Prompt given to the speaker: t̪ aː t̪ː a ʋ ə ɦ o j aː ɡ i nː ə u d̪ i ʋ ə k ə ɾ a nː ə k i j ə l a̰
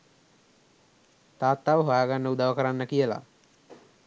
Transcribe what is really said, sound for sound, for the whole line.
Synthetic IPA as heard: t̪ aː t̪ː a ʋ ə ɦ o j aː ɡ a nː ə u d̪ a ʋ ə k ə ɾ a nː ə k i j ə l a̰

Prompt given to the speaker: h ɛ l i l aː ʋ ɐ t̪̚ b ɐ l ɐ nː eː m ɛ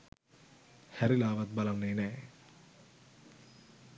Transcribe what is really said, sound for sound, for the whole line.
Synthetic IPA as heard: h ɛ ɾ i l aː ʋ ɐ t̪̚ b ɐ l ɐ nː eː n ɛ

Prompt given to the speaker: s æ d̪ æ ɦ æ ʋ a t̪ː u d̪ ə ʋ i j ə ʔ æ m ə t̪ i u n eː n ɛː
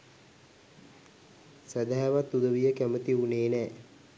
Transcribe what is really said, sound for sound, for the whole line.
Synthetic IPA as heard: s æ d̪ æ ɦ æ ʋ a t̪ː u d̪ ə ʋ i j ə k æ m ə t̪ i u n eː n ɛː

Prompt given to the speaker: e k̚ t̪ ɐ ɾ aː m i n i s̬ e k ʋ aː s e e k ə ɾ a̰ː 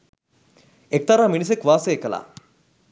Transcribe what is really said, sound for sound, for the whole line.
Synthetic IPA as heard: e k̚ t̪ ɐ ɾ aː m i n i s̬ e k ʋ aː s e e k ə l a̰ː

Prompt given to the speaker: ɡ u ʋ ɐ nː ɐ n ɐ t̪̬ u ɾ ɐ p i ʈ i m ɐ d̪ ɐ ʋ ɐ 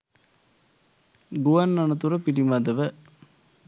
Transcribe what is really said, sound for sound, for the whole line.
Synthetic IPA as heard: ɡ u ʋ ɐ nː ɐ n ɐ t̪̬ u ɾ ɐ p i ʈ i m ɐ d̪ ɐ ʋ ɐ

